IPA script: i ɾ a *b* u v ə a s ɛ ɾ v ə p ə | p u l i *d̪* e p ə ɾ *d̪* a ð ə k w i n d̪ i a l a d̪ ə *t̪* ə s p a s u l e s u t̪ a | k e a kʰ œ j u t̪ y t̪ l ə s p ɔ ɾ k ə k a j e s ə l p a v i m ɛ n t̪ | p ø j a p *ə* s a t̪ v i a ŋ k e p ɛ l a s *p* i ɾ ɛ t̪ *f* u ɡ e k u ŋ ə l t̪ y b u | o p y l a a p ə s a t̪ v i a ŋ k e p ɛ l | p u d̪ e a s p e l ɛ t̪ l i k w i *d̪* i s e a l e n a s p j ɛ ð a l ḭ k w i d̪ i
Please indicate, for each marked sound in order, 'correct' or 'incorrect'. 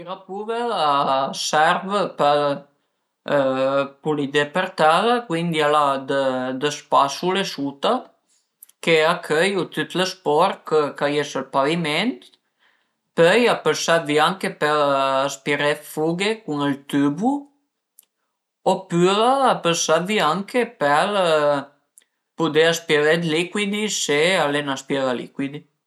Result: incorrect: p, correct, incorrect: t̪, incorrect: d̪, correct, correct, correct, correct

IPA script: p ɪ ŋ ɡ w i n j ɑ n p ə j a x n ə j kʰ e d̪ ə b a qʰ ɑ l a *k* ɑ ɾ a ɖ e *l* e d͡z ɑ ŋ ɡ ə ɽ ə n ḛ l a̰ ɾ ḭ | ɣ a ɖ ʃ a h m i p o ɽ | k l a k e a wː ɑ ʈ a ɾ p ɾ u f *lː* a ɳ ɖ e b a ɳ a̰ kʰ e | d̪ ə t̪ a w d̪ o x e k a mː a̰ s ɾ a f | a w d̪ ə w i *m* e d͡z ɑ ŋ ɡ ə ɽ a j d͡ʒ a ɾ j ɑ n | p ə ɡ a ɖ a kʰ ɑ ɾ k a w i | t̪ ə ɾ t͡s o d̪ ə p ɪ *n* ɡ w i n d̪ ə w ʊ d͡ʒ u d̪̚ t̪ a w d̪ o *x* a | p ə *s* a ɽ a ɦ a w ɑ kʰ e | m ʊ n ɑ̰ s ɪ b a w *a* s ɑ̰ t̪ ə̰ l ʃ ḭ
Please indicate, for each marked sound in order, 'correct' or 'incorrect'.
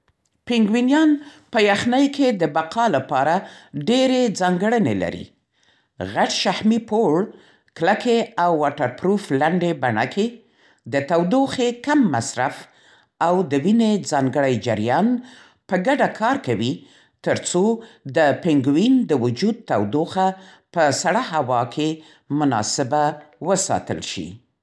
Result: incorrect: p, incorrect: ɾ, incorrect: l, incorrect: n, incorrect: ŋ, correct, correct, incorrect: ə

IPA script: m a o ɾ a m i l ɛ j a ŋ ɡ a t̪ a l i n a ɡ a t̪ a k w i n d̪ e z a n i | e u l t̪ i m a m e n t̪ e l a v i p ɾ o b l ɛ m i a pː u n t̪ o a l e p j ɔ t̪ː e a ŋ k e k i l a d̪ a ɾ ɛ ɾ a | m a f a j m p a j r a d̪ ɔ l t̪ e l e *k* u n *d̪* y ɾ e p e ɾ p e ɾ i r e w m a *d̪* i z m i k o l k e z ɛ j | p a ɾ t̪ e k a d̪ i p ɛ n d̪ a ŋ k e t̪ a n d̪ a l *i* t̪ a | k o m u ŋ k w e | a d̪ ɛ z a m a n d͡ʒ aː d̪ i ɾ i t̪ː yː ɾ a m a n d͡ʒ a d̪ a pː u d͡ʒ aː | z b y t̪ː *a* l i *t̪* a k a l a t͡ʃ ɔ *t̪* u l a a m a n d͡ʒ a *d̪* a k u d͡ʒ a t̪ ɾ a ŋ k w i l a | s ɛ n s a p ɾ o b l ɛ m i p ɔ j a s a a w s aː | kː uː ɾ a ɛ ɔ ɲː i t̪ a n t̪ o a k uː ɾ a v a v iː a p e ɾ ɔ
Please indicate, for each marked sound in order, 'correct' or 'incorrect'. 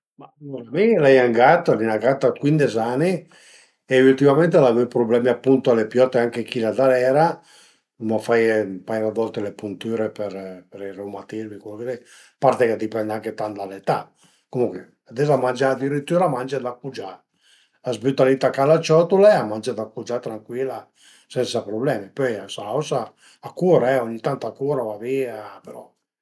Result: incorrect: p, incorrect: t̪, incorrect: t̪, incorrect: e, correct, correct, correct, correct

